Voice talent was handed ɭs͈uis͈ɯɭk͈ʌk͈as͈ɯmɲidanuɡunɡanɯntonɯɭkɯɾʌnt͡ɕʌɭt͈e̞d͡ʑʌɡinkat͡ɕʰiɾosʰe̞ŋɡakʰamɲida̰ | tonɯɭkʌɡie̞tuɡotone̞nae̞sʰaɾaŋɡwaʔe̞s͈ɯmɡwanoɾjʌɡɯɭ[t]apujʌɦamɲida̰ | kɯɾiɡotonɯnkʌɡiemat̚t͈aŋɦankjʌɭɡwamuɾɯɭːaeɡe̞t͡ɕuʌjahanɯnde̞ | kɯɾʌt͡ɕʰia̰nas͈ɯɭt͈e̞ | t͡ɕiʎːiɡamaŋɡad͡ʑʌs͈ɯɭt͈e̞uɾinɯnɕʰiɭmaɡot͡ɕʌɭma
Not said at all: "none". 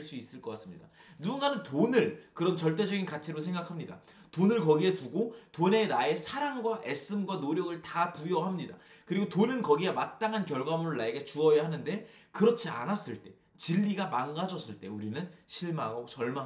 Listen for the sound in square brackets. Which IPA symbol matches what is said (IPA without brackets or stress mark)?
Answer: t